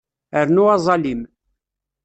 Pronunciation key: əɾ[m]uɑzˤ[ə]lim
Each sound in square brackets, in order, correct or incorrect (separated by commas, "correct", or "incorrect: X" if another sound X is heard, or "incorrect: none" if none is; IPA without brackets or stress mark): incorrect: n, incorrect: ɑ